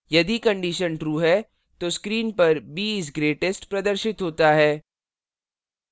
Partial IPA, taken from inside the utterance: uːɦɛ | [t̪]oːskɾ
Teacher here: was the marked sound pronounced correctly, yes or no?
yes